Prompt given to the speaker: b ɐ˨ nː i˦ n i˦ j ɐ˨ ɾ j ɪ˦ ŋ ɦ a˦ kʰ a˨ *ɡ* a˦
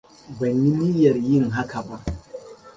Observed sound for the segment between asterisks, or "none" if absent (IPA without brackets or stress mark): b